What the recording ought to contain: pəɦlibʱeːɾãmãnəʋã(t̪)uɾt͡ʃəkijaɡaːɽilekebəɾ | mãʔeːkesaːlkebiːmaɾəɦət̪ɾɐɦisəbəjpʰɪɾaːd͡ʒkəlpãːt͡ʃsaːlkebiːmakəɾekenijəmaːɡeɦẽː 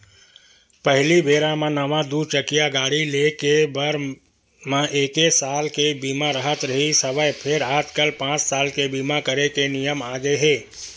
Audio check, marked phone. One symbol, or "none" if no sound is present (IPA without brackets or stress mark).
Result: d̪